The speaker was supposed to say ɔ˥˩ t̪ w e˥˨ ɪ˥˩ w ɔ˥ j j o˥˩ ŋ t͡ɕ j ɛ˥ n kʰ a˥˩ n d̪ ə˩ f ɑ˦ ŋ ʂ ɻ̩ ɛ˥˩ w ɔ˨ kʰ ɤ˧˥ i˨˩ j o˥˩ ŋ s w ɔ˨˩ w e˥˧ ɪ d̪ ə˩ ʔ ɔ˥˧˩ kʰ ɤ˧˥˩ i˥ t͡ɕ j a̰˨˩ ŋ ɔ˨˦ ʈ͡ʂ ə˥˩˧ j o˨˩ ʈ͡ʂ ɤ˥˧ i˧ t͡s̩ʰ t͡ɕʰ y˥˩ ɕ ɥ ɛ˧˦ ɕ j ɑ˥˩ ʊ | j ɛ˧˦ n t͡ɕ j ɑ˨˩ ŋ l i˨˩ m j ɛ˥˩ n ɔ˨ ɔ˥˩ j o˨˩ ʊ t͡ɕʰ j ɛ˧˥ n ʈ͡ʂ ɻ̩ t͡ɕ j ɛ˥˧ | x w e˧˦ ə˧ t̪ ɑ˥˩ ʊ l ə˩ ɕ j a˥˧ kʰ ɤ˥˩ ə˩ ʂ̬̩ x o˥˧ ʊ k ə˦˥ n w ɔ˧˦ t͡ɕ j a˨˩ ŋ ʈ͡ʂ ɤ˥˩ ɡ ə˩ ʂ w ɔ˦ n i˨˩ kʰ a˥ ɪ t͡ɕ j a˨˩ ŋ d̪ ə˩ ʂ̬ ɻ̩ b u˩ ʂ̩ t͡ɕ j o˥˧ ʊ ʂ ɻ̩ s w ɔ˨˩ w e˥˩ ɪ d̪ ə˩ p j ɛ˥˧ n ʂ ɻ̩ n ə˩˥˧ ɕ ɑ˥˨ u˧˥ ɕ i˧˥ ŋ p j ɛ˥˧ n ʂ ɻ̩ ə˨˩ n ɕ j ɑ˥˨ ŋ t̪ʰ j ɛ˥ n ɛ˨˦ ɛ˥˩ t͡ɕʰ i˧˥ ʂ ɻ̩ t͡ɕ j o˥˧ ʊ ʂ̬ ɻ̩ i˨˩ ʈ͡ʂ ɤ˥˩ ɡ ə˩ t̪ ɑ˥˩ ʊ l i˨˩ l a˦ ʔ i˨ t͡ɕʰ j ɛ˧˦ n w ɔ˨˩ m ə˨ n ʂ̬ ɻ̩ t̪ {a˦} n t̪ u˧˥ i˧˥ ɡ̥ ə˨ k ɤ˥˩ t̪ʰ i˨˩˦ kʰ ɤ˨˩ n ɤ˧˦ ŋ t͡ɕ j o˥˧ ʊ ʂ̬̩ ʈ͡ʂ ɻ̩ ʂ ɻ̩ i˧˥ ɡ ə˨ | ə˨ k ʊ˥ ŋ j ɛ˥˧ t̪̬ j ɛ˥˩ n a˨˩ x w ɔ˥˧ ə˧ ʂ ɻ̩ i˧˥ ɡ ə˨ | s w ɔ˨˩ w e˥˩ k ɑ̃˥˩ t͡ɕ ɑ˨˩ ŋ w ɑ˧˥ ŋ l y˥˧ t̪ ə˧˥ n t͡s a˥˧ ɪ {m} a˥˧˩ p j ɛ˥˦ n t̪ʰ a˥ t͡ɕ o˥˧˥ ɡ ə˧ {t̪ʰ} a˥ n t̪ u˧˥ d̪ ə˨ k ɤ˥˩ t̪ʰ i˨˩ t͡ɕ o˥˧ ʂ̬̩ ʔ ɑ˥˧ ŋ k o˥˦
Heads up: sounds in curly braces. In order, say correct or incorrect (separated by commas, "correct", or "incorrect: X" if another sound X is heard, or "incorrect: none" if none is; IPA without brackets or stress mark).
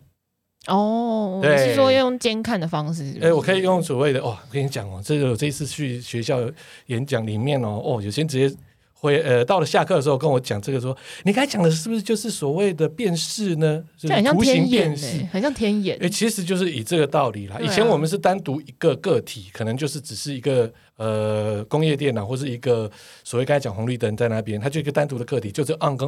correct, incorrect: n, incorrect: t̪